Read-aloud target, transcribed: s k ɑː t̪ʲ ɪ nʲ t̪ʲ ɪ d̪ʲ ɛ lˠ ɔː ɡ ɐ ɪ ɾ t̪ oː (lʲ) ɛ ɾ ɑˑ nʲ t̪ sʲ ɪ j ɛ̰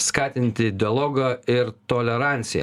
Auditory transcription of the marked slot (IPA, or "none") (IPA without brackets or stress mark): lʲ